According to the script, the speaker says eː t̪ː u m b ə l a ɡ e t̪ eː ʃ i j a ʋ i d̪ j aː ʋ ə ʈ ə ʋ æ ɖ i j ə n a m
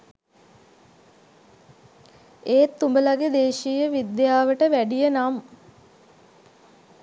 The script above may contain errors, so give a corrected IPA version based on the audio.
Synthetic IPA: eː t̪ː u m b ə l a ɡ e d̪ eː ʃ i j ə ʋ i d̪ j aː ʋ ə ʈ ə ʋ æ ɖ i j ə n a m